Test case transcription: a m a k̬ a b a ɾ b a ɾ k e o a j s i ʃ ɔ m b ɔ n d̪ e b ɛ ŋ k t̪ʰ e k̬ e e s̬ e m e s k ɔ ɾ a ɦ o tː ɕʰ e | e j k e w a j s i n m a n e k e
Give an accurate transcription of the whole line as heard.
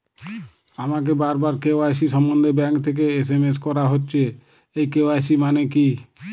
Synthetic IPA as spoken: a m a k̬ e b a ɾ b a ɾ k e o a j s i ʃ ɔ m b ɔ n d̪ e b ɛ ŋ k t̪ʰ e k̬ e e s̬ e m e s k ɔ ɾ a ɦ o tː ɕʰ e | e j k e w a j s i m a n e k i